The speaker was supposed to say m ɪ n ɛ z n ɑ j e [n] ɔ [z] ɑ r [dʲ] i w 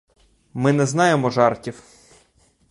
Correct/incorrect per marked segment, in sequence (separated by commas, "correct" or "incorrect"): incorrect, incorrect, incorrect